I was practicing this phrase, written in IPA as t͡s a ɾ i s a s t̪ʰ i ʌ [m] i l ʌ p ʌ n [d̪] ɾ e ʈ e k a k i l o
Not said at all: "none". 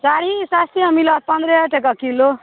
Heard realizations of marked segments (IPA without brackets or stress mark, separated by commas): m, d̪